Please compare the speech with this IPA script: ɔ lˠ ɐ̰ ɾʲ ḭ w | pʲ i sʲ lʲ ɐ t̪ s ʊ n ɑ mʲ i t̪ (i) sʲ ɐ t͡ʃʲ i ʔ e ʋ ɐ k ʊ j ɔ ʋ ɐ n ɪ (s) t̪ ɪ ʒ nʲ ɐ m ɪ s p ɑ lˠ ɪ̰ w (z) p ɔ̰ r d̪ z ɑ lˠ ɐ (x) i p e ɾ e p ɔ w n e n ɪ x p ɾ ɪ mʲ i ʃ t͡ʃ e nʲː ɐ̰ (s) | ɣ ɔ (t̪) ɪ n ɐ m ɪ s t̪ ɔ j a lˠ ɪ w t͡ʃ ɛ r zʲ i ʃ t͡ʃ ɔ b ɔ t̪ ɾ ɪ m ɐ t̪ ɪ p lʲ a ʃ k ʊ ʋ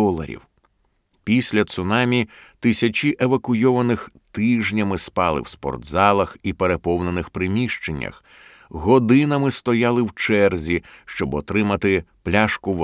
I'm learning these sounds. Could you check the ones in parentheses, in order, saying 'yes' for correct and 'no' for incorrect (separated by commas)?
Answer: no, no, no, yes, no, no